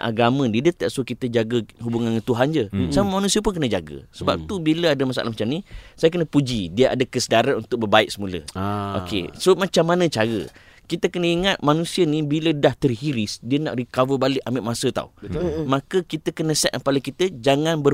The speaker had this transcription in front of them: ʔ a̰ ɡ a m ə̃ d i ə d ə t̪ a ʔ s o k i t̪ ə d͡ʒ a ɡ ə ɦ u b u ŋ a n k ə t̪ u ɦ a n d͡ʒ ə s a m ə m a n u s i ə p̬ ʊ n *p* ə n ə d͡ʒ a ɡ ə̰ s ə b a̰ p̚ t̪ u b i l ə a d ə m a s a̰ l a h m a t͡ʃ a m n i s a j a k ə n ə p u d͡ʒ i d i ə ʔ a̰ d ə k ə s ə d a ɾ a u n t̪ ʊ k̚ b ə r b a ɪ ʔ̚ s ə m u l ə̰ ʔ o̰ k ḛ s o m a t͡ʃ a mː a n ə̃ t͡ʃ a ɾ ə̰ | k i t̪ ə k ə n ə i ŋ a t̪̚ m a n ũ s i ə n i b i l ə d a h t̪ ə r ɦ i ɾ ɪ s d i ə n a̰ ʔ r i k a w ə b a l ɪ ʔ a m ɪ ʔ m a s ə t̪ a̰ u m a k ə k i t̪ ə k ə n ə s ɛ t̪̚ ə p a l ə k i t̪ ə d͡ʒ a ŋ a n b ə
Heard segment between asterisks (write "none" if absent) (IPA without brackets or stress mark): k